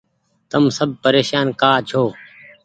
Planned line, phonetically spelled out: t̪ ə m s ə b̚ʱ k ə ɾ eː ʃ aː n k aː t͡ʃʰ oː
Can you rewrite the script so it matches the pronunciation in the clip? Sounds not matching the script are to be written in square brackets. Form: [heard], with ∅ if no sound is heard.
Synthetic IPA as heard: t̪ ə m s ə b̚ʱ [p] ə ɾ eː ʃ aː n k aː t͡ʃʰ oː